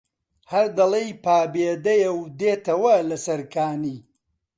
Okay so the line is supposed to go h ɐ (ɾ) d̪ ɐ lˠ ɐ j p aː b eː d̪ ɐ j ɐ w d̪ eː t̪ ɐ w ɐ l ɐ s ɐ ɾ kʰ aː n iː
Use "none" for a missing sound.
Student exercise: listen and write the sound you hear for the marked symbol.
ɾ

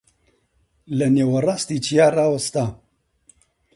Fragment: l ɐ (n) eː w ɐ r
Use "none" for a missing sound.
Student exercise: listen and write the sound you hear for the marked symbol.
n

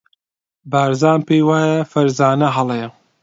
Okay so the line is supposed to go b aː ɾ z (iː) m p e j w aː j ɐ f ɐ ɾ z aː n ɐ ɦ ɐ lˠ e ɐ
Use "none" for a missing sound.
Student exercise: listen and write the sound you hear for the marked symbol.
aː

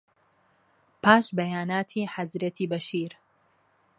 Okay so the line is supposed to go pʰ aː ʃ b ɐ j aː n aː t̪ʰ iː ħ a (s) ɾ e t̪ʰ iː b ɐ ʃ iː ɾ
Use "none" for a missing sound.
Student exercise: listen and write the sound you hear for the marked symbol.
z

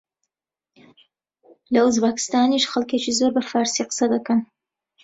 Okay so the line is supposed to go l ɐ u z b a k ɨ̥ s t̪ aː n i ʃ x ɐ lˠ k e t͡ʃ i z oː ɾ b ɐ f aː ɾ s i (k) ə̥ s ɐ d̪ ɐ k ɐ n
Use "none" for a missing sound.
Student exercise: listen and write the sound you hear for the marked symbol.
q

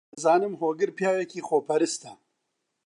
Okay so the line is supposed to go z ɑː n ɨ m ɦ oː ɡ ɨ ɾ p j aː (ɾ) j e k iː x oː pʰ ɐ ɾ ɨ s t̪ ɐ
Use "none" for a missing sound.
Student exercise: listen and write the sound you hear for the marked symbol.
none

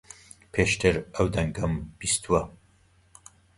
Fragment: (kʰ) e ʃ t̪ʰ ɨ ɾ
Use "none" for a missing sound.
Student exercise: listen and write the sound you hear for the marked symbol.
pʰ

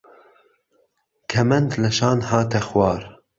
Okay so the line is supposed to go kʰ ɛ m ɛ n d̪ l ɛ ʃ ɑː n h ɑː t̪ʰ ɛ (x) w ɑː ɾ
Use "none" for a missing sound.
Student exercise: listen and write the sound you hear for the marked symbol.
x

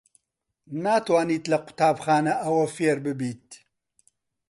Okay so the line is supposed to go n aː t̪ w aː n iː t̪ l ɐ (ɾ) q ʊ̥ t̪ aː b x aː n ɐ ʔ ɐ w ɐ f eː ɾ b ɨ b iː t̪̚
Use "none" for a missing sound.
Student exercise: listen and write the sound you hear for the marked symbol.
none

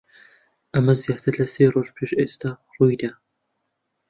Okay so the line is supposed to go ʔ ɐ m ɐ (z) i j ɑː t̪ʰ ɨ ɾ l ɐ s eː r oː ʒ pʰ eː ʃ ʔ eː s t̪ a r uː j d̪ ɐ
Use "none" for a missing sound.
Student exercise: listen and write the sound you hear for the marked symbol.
z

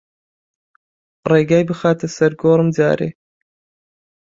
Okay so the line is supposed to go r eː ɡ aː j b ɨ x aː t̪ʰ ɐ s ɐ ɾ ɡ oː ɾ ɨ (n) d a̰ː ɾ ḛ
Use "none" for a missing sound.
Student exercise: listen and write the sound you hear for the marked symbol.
m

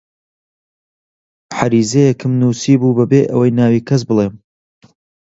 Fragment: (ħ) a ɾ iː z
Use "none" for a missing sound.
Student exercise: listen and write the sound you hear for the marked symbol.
ħ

